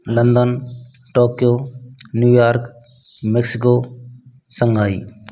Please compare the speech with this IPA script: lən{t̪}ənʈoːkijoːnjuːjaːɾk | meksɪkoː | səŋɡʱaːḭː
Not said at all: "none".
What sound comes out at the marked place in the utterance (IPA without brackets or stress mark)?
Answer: d̪